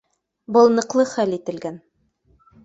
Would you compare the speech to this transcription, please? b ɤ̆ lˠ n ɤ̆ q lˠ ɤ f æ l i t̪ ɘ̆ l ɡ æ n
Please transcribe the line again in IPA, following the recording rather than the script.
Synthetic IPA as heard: b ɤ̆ lˠ n ɤ̆ q lˠ ɤ χ æ l i t̪ ɘ̆ l ɡ æ n